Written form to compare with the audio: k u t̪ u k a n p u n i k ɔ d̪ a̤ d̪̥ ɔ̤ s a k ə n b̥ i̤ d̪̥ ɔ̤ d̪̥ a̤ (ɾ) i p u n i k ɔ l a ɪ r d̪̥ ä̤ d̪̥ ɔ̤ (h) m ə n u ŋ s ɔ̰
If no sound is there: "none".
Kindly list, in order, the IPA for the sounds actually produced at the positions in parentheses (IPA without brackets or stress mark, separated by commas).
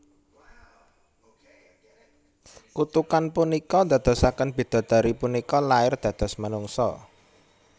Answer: ɾ, s